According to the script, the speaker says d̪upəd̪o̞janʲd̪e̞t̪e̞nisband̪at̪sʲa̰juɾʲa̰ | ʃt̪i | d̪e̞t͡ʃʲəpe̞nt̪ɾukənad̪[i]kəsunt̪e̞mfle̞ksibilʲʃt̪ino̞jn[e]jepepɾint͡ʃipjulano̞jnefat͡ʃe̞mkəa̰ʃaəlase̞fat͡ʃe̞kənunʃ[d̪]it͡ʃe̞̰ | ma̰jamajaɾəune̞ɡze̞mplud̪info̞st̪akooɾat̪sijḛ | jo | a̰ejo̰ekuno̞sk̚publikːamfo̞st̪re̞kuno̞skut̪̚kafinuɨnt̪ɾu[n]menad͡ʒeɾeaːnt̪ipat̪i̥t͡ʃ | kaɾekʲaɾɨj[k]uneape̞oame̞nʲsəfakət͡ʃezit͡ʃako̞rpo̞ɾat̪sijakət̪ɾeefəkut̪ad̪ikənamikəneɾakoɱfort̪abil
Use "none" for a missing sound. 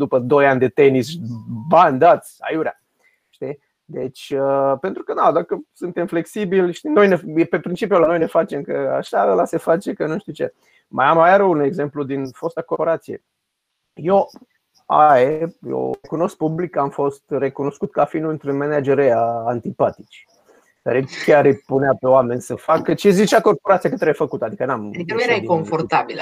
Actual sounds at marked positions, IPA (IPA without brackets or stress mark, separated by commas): a, e, t̪, n, p